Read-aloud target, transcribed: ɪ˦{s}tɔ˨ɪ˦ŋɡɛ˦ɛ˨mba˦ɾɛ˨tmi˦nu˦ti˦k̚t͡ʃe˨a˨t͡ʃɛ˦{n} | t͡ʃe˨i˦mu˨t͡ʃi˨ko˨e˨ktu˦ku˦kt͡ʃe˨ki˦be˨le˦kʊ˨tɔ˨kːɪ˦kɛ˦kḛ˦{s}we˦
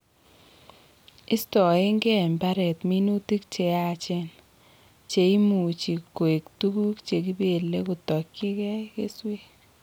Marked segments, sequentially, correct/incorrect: correct, correct, correct

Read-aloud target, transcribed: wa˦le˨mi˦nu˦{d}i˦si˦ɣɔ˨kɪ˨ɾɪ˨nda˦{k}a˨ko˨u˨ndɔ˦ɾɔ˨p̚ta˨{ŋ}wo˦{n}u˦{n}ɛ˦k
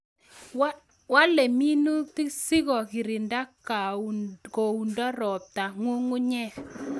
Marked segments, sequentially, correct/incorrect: incorrect, correct, correct, incorrect, incorrect

